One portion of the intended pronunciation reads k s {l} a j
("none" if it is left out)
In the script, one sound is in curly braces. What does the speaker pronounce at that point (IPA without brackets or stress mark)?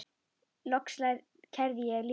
l